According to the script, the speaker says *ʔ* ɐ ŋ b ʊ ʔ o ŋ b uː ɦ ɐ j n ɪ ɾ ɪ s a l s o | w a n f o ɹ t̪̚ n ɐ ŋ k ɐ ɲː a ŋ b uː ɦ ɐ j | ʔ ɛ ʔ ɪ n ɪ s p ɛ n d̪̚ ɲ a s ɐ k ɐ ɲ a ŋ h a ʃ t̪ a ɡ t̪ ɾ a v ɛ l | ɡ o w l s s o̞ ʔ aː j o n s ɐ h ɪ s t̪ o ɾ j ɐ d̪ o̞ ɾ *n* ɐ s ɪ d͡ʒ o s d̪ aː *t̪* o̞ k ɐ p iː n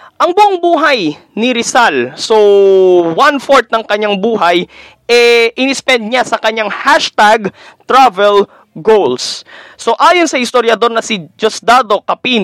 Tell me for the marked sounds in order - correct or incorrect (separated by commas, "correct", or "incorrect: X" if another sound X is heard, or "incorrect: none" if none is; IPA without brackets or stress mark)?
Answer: correct, correct, incorrect: d̪